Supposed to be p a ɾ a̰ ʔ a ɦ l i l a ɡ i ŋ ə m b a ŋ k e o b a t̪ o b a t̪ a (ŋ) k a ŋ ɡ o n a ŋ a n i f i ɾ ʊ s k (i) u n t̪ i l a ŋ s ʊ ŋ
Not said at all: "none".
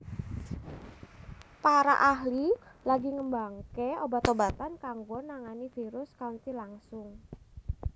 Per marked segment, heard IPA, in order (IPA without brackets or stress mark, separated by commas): n, a